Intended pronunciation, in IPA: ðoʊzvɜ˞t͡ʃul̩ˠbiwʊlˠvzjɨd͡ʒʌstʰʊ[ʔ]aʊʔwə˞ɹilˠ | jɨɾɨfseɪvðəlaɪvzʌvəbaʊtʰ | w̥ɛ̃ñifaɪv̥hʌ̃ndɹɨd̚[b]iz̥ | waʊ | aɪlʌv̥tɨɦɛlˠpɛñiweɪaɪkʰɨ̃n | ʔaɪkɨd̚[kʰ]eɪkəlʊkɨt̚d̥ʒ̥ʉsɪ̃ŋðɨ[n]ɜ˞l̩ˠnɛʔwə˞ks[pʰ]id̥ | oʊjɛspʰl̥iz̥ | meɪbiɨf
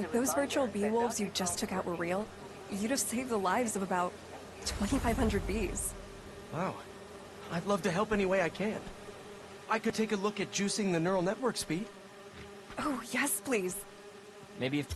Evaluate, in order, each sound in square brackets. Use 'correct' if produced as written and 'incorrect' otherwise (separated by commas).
incorrect, correct, incorrect, correct, incorrect